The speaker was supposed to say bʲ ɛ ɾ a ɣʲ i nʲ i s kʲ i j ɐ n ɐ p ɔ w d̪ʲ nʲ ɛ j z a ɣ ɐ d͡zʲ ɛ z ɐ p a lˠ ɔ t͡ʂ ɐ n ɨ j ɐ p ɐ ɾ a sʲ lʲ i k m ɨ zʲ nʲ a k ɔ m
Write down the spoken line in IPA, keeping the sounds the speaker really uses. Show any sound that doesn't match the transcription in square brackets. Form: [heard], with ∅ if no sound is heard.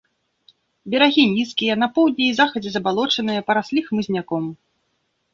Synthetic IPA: bʲ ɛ ɾ a ɣʲ i nʲ i s kʲ i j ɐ n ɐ p ɔ w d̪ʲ nʲ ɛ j z a [x] ɐ d͡zʲ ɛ z ɐ [b] a lˠ ɔ t͡ʂ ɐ n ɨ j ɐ p ɐ ɾ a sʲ lʲ i [x] m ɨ zʲ nʲ a k ɔ m